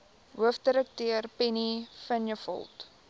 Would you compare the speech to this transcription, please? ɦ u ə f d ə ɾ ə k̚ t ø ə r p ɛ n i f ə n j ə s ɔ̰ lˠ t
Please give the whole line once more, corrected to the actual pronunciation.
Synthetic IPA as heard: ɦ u ə f d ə ɾ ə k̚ t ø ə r p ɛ n i f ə n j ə f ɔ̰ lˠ t